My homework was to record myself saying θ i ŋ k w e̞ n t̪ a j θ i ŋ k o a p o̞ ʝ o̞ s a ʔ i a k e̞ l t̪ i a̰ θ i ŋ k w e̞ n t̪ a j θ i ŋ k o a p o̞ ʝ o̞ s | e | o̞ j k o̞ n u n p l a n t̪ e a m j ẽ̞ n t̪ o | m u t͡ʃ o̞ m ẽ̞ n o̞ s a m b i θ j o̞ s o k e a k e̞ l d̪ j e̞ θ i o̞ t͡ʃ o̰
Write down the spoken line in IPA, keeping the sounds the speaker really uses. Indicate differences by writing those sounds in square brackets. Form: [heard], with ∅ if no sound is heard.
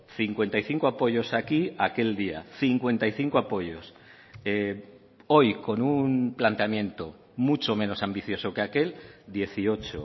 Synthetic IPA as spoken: θ i ŋ k w e̞ n t̪ a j θ i ŋ k o a p o̞ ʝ o̞ s a [k] i a k e̞ l [d̪] i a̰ θ i ŋ k w e̞ n t̪ a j θ i ŋ k o a p o̞ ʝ o̞ s | e | o̞ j k o̞ n u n p l a n t̪ e a m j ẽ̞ n t̪ o | m u t͡ʃ o̞ m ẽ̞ n o̞ s a m b i θ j o̞ s o k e a k e̞ l d̪ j e̞ θ i o̞ t͡ʃ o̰